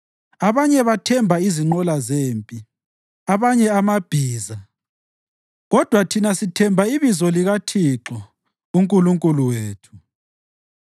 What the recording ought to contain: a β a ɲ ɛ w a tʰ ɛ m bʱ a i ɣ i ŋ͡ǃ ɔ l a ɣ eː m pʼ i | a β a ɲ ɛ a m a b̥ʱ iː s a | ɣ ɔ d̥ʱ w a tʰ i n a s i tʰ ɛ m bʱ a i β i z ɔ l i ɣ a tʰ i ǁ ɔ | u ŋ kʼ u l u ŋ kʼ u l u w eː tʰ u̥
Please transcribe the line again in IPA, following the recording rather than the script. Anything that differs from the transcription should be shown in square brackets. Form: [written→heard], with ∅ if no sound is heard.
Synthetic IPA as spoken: a β a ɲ ɛ [w→β] a tʰ ɛ m bʱ a i [ɣ→z] i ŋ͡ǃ ɔ l a [ɣ→z] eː m pʼ i | a β a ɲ ɛ a m a b̥ʱ iː [s→z] a | ɣ ɔ d̥ʱ w a tʰ i n a s i tʰ ɛ m bʱ a i β i z ɔ l i ɣ a tʰ i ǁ ɔ | u ŋ kʼ u l u ŋ kʼ u l u w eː tʰ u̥

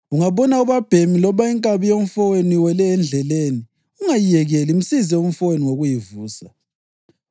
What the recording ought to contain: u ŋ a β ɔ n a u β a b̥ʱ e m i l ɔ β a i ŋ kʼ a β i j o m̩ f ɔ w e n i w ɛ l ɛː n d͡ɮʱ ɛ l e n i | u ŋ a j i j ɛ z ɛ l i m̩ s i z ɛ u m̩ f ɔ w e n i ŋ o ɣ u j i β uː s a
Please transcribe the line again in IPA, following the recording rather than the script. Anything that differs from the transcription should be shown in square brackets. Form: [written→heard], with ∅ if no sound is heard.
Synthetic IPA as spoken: u ŋ a β ɔ n a u β a b̥ʱ e m i l ɔ β a i ŋ kʼ a β i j o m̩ f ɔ w e n i w ɛ l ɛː n d͡ɮʱ ɛ l e n i | u ŋ a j i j ɛ [z→ɣ] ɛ l i m̩ s i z ɛ u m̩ f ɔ w e n i ŋ o ɣ u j i [β→v] uː s a

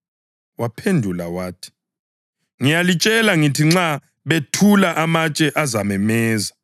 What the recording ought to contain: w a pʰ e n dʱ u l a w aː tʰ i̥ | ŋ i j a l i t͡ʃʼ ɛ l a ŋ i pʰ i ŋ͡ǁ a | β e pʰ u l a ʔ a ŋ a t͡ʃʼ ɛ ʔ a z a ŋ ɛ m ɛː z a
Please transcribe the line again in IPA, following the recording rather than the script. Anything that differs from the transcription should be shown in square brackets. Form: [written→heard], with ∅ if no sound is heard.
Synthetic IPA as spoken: w a pʰ e n dʱ u l a w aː tʰ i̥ | ŋ i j a l i t͡ʃʼ ɛ l a ŋ i [pʰ→tʰ] i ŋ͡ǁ a | β e [pʰ→tʰ] u l a ʔ a [ŋ→m] a t͡ʃʼ ɛ ʔ a z a [ŋ→m] ɛ m ɛː z a

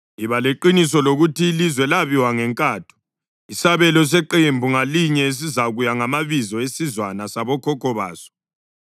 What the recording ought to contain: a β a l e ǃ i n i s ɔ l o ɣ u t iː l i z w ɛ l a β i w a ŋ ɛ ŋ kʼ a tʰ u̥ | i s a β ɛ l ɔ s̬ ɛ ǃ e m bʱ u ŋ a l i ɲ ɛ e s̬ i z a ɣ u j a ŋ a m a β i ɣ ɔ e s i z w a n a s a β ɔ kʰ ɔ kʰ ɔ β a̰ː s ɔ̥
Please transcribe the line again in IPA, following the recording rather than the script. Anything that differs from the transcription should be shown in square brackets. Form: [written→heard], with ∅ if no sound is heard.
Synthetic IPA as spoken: [a→i] β a l e ǃ i n i s ɔ l o ɣ u t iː l i z w ɛ l a β i w a ŋ ɛ ŋ kʼ a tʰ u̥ | i s a β ɛ l ɔ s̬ ɛ ǃ e m bʱ u ŋ a l i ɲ ɛ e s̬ i z a ɣ u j a ŋ a m a β i [ɣ→z] ɔ e s i z w a n a s a β ɔ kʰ ɔ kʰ ɔ β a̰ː s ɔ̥

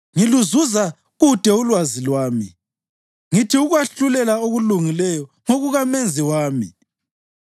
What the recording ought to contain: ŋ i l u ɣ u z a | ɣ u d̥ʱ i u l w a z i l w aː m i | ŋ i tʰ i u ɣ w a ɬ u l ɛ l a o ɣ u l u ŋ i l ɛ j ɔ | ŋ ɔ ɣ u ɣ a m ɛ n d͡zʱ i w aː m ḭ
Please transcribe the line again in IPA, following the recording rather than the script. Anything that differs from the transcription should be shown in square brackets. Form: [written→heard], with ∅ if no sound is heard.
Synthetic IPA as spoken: ŋ i l u [ɣ→z] u z a | ɣ u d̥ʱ [i→ɛ] u l w a z i l w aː m i | ŋ i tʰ i u ɣ w a ɬ u l ɛ l a o ɣ u l u ŋ i l ɛ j ɔ | ŋ [ɔ→o] ɣ u ɣ a m ɛ n d͡zʱ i w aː m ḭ

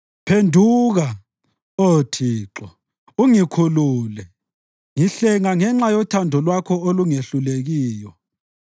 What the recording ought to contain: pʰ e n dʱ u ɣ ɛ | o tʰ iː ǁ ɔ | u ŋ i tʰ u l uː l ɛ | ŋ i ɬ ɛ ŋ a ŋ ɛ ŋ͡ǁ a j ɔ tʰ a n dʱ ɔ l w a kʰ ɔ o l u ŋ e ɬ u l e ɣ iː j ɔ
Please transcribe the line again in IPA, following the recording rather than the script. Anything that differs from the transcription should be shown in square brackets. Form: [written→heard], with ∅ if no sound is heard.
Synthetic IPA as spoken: pʰ e n dʱ u ɣ [ɛ→a] | o tʰ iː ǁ ɔ | u ŋ i [tʰ→kʰ] u l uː l ɛ | ŋ i ɬ ɛ ŋ a ŋ ɛ ŋ͡ǁ a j ɔ tʰ a n dʱ ɔ l w a kʰ ɔ o l u ŋ e ɬ u l e ɣ iː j ɔ

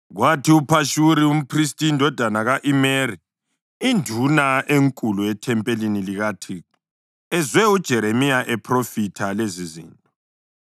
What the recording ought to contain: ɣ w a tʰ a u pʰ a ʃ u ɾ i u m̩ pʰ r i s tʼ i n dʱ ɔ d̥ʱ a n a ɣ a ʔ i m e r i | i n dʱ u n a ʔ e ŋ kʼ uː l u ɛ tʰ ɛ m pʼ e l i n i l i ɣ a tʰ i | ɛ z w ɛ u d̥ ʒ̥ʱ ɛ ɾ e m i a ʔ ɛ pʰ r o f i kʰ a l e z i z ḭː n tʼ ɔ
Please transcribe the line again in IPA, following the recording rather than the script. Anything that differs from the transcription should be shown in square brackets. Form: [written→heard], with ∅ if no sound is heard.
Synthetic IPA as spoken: ɣ w a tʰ [a→i] u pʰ a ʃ u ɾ i u m̩ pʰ r i s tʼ i n dʱ ɔ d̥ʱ a n a ɣ a ʔ i m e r i | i n dʱ u n a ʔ e ŋ kʼ [uː→u] l u ɛ tʰ ɛ m pʼ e l i n i l i ɣ a tʰ i | ɛ z w ɛ u d̥ ʒ̥ʱ ɛ ɾ e m i a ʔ ɛ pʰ r o f i [kʰ→tʰ] a l e z i z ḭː n tʼ ɔ

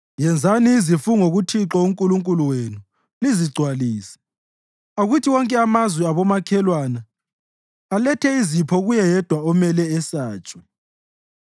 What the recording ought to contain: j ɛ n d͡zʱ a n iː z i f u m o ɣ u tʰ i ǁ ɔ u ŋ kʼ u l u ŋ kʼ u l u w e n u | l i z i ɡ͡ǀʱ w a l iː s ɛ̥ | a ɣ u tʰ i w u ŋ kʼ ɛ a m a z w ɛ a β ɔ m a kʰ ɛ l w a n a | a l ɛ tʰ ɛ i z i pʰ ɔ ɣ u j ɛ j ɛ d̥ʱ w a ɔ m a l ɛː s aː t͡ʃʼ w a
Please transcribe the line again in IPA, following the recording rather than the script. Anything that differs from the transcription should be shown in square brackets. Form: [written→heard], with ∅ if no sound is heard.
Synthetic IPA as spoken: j ɛ n d͡zʱ a n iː z i f u [m→ŋ] o ɣ u tʰ i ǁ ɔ u ŋ kʼ u l u ŋ kʼ u l u w e n u | l i z i ɡ͡ǀʱ w a l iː s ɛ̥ | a ɣ u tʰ i w [u→ɔ] ŋ kʼ ɛ a m a z w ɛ a β ɔ m a kʰ ɛ l w a n a | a l ɛ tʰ ɛ i z i pʰ ɔ ɣ u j ɛ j ɛ d̥ʱ w a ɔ m [a→ɛ] l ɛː s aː t͡ʃʼ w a

